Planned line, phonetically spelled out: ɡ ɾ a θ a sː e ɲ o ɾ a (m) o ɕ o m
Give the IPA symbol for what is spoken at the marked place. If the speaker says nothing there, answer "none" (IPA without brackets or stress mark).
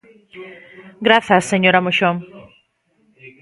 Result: m